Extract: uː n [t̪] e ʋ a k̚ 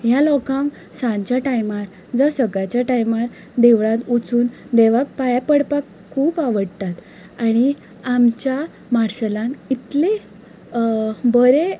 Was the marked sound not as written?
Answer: yes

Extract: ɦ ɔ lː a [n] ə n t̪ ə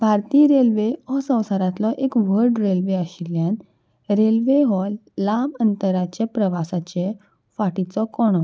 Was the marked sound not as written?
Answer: yes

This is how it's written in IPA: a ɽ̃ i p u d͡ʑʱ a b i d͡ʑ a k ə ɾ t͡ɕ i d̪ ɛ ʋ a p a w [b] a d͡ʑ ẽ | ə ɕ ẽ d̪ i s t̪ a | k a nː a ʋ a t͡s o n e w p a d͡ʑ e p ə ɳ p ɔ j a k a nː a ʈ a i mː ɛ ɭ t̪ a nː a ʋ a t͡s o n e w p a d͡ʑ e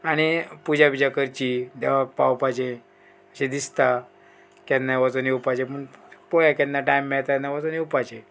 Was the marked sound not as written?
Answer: yes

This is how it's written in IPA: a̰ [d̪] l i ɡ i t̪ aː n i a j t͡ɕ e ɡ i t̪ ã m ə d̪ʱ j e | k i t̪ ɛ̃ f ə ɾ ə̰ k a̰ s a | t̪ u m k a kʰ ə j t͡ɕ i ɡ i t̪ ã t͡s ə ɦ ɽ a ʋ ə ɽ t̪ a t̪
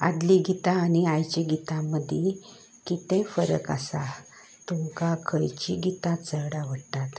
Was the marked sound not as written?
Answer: no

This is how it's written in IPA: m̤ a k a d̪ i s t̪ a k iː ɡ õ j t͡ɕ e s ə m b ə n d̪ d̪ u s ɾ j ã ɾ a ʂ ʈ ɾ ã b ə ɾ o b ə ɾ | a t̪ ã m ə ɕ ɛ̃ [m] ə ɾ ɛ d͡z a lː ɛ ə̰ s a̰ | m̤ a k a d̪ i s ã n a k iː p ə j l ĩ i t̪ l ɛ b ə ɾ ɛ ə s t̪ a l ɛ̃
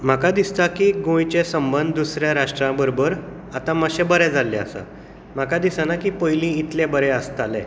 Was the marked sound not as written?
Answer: yes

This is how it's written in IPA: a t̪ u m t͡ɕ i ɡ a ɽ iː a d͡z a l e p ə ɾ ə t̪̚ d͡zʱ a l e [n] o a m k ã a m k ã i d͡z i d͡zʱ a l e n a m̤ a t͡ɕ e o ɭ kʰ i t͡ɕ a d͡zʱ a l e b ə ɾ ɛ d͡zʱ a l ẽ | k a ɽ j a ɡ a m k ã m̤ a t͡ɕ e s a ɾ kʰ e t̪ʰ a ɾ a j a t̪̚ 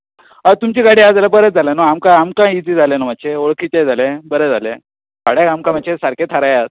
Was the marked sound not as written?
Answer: no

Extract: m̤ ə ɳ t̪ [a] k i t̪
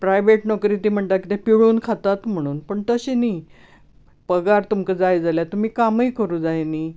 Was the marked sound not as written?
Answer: no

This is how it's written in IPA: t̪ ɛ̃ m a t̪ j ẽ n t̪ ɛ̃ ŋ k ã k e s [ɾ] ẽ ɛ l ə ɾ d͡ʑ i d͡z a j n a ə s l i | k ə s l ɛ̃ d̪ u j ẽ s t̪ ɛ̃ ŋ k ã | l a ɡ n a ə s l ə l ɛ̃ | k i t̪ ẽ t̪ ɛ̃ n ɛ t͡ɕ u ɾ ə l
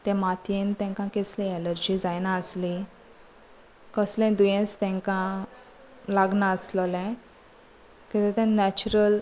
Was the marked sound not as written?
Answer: yes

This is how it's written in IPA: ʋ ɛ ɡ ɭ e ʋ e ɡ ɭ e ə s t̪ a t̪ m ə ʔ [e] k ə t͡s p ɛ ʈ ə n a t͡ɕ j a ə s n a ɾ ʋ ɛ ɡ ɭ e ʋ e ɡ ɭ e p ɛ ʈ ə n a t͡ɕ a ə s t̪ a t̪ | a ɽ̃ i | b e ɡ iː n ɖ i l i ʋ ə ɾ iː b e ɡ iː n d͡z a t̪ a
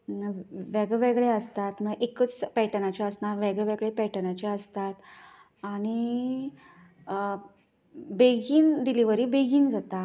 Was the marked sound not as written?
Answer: no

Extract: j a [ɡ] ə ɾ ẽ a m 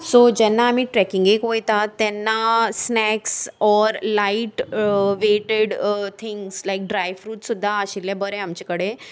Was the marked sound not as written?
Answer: yes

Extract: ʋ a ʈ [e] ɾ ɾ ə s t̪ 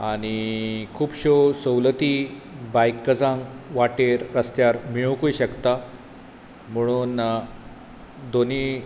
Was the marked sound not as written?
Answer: no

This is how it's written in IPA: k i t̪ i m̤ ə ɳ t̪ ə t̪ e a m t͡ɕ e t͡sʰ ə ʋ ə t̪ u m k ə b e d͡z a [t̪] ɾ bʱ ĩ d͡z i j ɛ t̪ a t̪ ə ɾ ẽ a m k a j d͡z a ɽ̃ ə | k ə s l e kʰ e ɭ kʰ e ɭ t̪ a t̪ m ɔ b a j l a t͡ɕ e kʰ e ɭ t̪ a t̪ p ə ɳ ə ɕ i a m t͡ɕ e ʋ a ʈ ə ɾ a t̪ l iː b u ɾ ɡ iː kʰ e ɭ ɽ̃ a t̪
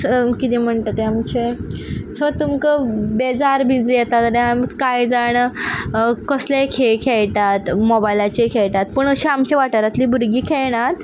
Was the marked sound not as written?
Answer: yes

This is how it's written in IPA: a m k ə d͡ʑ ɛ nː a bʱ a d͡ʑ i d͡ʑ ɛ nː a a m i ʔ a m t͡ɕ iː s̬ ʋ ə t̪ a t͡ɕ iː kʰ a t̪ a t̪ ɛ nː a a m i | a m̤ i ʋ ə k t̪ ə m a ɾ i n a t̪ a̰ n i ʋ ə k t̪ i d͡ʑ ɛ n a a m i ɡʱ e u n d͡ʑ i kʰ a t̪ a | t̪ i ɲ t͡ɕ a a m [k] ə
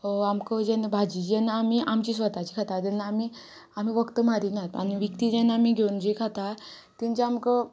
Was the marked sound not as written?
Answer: no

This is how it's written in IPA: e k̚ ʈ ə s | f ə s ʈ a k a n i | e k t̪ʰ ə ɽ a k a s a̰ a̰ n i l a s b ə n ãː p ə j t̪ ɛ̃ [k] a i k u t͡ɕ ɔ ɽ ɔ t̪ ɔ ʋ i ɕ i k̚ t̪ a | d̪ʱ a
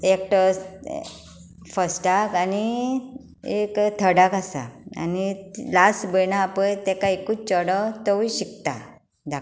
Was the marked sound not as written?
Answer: no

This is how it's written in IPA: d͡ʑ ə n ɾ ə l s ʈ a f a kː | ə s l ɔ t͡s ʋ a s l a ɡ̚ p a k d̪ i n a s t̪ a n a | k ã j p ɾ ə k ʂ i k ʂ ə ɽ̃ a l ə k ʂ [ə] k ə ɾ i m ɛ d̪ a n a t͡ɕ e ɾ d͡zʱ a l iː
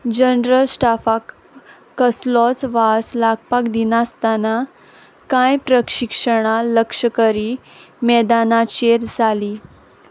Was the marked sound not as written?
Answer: no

